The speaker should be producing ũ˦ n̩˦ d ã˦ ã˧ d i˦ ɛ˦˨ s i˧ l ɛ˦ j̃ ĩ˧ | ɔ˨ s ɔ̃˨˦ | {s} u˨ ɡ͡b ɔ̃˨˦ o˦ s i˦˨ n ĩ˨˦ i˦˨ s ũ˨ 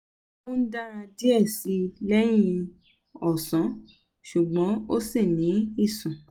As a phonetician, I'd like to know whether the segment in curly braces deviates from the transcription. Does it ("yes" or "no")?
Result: yes